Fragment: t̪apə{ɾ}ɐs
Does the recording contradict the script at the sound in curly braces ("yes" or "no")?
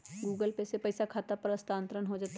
no